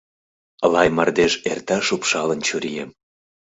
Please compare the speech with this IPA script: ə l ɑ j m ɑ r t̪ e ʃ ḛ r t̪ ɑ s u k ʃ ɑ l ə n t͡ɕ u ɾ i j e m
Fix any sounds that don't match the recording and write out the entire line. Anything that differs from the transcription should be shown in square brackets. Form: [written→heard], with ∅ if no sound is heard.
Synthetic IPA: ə l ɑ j m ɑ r [t̪→d̪] e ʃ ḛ r t̪ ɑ [s→ʃ] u [k→p] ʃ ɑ l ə n t͡ɕ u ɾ i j e m